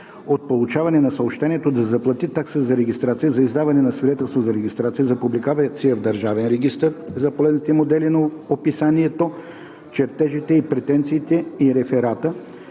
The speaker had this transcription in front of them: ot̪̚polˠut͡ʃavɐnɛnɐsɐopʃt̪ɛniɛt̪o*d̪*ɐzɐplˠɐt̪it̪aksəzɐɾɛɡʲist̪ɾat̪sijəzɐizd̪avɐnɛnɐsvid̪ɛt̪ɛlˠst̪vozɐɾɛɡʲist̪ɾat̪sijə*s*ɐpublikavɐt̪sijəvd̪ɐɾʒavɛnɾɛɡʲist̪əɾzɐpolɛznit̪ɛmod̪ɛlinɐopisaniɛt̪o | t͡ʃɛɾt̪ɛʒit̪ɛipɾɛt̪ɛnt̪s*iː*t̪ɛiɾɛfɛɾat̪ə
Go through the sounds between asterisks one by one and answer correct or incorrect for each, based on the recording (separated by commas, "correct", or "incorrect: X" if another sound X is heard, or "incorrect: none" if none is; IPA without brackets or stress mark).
correct, incorrect: z, correct